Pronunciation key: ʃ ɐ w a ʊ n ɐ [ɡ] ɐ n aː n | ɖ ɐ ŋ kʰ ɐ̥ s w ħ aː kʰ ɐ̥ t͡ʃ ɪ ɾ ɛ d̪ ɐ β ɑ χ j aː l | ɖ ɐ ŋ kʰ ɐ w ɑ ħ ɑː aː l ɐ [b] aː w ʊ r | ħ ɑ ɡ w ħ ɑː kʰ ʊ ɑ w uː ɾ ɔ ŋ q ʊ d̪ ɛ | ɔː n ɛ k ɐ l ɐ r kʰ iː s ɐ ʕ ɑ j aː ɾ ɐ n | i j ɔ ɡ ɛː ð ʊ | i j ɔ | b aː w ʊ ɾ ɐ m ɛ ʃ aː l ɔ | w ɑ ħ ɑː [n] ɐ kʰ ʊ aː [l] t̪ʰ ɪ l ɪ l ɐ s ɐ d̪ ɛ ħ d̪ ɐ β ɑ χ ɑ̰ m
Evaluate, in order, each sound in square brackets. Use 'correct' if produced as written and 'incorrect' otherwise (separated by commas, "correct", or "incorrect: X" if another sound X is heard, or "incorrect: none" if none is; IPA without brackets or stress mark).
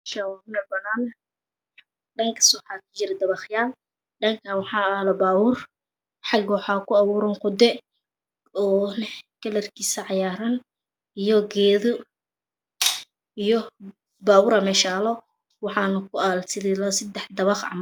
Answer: incorrect: b, correct, correct, correct